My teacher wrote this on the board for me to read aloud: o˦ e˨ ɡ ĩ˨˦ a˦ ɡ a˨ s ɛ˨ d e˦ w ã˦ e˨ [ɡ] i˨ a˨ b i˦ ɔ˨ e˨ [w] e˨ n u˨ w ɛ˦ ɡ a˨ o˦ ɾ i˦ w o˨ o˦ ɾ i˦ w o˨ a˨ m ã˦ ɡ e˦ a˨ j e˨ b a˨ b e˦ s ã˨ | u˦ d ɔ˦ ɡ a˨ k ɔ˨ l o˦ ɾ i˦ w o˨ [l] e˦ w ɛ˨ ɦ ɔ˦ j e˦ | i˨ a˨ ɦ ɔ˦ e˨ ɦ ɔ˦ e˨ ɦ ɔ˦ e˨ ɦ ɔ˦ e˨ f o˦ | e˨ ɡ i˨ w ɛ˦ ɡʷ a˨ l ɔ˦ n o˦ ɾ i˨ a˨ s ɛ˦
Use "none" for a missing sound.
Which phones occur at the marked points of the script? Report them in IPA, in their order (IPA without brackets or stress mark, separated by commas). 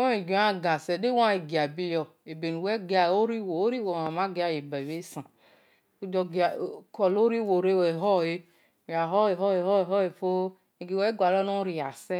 ɡ, b, ɾ